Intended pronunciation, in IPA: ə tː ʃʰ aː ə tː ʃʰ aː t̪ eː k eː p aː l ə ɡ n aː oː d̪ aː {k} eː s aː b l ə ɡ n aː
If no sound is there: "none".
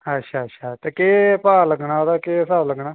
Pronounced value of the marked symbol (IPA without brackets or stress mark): k